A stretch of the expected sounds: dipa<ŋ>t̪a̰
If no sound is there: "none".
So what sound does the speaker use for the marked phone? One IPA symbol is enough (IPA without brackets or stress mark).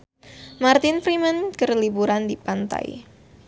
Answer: n